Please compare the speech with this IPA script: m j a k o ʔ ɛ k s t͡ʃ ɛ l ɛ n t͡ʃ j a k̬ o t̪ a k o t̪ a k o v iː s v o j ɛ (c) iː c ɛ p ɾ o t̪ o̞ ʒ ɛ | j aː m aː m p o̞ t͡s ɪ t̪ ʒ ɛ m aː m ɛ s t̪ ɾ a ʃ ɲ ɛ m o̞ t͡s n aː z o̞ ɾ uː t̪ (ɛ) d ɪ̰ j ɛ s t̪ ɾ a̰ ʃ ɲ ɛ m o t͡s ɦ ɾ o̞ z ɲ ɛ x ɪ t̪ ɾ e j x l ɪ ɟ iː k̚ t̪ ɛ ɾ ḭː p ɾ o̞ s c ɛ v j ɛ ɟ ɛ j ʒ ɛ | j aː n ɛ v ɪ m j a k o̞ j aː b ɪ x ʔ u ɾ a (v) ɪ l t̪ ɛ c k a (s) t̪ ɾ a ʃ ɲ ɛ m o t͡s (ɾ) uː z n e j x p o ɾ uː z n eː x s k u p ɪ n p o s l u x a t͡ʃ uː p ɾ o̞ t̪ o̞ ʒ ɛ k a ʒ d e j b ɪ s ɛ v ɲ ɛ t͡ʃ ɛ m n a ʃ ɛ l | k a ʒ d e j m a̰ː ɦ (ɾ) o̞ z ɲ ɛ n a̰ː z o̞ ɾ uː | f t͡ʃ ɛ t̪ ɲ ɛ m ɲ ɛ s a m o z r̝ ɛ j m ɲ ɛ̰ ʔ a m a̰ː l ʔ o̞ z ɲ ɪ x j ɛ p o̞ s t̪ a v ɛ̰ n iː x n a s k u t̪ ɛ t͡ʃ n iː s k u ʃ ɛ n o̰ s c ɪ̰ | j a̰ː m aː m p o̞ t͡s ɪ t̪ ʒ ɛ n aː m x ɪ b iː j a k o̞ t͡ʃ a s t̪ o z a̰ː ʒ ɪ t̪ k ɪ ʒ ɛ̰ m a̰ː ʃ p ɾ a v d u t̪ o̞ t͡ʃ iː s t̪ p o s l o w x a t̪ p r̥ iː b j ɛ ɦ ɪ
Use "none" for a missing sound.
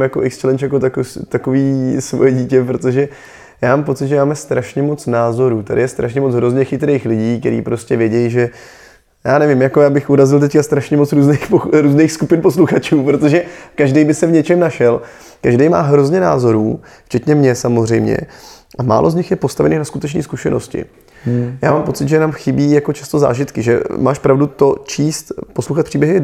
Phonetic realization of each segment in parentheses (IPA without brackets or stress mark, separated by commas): ɟ, a, z, s, ɾ, ɾ